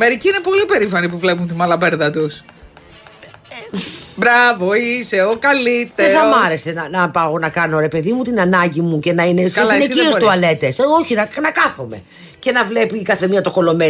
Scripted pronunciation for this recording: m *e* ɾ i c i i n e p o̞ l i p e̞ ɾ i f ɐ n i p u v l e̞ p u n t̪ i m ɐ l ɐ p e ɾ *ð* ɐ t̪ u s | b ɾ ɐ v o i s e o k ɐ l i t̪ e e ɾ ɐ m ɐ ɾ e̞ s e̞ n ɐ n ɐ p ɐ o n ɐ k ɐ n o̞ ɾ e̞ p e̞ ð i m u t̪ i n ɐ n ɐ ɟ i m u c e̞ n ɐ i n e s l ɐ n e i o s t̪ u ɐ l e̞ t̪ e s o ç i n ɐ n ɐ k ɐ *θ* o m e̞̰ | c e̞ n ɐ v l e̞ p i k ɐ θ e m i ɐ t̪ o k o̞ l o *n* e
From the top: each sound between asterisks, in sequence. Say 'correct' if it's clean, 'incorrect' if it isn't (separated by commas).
correct, correct, correct, incorrect